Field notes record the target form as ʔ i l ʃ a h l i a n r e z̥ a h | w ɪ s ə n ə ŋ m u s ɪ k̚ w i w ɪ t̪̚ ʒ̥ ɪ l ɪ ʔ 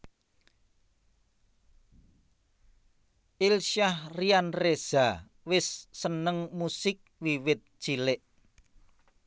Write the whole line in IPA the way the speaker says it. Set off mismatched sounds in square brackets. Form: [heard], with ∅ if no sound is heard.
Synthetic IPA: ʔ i l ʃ a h [r] i a n r e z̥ a [∅] | w ɪ [sː] ə n ə ŋ m u s ɪ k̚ w i w ɪ t̪̚ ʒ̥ [i] l ɪ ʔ

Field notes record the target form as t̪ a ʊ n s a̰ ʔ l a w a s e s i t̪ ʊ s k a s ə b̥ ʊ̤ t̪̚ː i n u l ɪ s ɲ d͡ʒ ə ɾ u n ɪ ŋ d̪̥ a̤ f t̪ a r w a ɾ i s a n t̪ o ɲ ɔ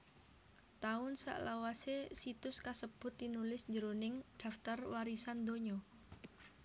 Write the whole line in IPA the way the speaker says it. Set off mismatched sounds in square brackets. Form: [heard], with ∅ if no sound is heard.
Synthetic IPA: t̪ a ʊ n s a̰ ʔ l a w a s e s i t̪ ʊ s k a s ə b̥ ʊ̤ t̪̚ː i n u l ɪ s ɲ d͡ʒ ə ɾ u n ɪ ŋ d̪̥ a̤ f t̪ a r w a ɾ i s a n [d̪] o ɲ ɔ

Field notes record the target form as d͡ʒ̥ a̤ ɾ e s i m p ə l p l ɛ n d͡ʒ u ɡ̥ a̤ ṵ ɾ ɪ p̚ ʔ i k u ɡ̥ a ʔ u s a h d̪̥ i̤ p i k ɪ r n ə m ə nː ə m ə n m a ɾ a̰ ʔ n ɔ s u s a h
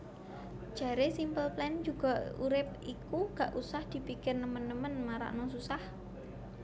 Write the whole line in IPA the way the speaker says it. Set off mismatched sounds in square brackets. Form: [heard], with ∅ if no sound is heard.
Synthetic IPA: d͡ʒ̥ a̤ ɾ e s i m p ə l p l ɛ n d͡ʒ u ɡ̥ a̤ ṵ ɾ ɪ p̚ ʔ i k u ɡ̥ a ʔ u s a h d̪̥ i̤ p i k ɪ r n ə m ə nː ə m ə n m a ɾ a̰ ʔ n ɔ s u s a h

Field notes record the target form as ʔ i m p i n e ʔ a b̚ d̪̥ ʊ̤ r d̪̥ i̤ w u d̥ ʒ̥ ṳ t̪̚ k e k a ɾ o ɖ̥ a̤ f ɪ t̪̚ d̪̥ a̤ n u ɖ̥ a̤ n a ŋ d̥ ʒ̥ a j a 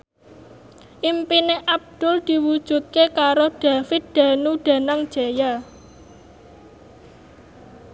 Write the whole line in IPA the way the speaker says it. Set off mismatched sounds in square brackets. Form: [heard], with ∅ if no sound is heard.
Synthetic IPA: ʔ i m p i n e ʔ a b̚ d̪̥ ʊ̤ [l] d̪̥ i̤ w u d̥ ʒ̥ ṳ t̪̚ k e k a ɾ o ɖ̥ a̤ f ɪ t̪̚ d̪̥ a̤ n u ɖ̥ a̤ n a ŋ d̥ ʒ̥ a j a

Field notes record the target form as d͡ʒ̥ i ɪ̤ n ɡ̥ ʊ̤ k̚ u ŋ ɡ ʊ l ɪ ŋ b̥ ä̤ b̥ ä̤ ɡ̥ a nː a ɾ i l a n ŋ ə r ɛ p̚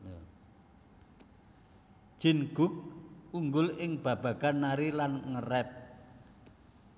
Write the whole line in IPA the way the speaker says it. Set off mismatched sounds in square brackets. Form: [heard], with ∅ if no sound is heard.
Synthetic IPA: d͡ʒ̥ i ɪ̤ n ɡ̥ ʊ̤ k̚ u ŋ ɡ ʊ l ɪ ŋ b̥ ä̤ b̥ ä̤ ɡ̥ a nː a ɾ i l a n ŋ ə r ɛ p̚

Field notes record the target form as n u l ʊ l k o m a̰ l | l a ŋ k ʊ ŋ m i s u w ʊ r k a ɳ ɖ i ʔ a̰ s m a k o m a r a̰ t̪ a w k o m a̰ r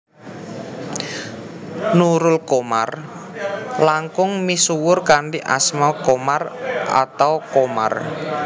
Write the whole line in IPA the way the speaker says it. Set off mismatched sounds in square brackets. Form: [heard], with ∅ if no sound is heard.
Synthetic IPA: n u [ɾ] ʊ l k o m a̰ [r] | l a ŋ k ʊ ŋ m i s u w ʊ r k a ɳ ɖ i ʔ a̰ s m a k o m a r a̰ t̪ a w k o m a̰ r

